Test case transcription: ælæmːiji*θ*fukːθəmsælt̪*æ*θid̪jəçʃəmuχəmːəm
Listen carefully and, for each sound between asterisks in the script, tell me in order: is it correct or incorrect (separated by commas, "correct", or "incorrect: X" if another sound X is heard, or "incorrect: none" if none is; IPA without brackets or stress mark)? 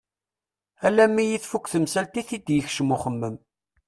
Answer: correct, incorrect: i